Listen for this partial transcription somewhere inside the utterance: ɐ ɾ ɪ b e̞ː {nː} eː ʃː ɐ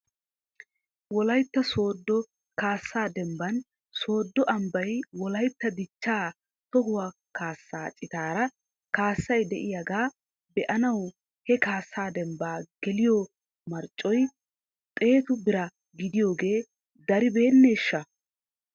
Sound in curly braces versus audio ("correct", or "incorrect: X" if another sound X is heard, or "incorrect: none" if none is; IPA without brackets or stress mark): correct